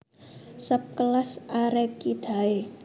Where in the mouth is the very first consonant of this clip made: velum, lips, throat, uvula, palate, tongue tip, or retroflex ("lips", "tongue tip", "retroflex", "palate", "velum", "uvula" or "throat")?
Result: tongue tip